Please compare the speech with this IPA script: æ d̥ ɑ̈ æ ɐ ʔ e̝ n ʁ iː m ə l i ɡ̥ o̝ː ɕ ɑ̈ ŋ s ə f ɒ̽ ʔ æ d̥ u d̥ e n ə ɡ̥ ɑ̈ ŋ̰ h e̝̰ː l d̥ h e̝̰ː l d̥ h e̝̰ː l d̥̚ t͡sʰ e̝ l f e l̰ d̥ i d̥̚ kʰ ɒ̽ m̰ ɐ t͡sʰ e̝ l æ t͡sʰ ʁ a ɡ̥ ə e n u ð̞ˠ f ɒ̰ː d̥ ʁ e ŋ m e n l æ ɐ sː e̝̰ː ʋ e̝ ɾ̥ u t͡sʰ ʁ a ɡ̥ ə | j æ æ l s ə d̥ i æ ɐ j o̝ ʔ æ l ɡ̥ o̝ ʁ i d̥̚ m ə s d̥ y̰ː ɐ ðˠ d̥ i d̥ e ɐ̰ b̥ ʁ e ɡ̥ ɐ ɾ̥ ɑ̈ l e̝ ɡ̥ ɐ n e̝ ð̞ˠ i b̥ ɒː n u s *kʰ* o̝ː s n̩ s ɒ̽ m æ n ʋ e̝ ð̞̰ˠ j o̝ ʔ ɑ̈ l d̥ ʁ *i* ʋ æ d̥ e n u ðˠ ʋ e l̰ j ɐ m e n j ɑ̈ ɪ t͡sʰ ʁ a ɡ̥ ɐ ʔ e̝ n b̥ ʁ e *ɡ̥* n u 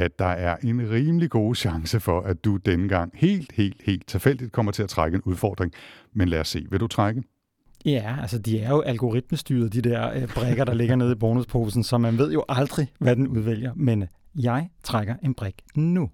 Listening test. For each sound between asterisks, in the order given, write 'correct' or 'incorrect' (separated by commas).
incorrect, correct, correct